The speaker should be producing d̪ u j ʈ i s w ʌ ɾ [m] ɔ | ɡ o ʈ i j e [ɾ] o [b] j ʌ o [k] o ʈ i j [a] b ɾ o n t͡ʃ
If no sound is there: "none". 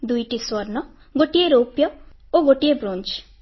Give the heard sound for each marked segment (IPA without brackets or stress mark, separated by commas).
n, ɾ, p, ɡ, e